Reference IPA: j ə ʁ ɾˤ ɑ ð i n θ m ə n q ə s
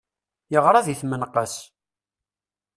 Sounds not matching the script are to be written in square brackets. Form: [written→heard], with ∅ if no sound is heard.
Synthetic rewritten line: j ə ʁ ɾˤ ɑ ð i [n→∅] θ m ə n q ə s